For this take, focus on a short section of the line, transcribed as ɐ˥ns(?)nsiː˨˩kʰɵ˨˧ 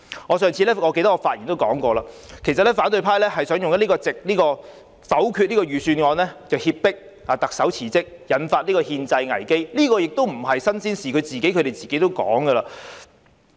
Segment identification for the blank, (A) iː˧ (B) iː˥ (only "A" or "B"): B